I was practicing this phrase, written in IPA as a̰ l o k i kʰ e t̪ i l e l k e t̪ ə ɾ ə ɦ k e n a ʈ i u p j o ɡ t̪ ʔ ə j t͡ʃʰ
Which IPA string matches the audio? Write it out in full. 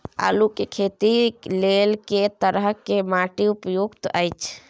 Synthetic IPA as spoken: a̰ l u k e kʰ e t̪ i l e l k e t̪ ə ɾ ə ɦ k e m a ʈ i u p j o ɡ t̪ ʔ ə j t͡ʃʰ